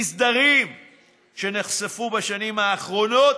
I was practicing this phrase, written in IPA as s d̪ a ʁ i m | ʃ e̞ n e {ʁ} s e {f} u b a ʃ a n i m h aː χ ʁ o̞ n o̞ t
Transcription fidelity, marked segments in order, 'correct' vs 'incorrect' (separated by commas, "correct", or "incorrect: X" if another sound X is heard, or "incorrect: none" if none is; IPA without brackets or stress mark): incorrect: χ, correct